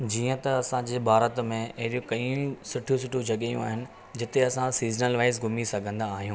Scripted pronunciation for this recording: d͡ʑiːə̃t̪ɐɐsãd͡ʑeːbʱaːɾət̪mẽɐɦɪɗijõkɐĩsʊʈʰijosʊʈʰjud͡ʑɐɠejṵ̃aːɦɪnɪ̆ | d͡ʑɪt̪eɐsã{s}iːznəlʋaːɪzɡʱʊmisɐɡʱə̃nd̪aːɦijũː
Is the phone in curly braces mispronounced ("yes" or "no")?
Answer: no